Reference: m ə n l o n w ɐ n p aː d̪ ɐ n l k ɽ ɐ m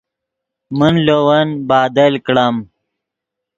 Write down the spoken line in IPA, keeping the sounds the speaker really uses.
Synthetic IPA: m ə n l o w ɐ n b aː d̪ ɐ l k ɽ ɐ m